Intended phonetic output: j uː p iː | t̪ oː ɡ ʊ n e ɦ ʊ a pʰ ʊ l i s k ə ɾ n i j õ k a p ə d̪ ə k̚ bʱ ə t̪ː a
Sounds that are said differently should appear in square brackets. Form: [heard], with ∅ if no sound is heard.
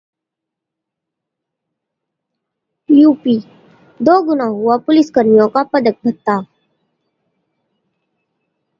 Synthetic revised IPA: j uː p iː | [d̪] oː ɡ ʊ n [a] ɦ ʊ a [p] ʊ l [ɪ] s k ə ɾ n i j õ k a p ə d̪ ə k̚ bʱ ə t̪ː a